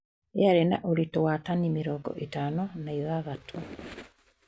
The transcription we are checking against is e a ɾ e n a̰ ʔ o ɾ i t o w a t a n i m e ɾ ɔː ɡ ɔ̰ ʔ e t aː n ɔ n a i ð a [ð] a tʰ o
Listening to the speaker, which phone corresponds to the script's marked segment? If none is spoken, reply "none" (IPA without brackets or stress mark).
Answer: ɣ